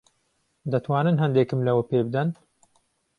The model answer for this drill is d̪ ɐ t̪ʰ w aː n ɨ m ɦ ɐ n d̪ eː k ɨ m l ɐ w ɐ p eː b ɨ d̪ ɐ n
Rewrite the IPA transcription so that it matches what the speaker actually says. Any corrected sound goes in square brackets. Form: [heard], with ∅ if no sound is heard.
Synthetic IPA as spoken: d̪ ɐ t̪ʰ w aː n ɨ [n] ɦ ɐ n d̪ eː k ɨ m l ɐ w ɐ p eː b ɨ d̪ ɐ n